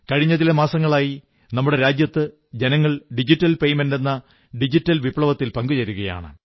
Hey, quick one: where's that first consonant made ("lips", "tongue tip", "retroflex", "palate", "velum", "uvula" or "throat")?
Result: velum